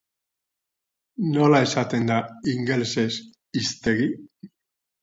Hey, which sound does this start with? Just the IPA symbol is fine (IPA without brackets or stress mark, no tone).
n